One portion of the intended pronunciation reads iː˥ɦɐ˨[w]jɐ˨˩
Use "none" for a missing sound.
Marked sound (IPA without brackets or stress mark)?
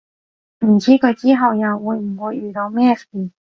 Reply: w